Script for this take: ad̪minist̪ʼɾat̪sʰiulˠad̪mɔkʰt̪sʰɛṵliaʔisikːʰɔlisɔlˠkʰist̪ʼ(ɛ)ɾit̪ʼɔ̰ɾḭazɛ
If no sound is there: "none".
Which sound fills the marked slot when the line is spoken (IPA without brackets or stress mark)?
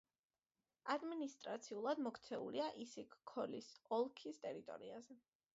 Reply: ɛ